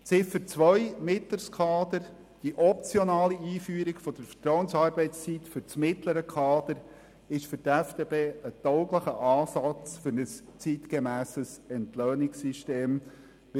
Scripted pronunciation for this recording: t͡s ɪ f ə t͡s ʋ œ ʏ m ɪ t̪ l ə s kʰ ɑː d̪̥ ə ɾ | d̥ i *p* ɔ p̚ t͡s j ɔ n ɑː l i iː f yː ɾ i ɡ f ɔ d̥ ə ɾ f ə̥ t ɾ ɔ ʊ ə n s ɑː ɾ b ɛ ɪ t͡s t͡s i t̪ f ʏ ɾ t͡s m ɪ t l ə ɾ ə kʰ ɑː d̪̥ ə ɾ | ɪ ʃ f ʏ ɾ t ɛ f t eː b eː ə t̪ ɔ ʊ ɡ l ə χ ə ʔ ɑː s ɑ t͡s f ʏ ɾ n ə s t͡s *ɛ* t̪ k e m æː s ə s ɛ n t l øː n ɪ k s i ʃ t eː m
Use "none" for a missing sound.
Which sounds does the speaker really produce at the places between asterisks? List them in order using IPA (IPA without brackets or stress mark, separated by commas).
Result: ʔ, i